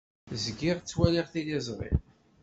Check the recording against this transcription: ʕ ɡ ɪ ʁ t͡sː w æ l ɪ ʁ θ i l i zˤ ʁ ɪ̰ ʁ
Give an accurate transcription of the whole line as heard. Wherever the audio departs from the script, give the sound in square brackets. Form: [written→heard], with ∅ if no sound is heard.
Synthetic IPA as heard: [ʕ→z] ɡ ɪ ʁ t͡sː w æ l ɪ ʁ θ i l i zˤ ʁ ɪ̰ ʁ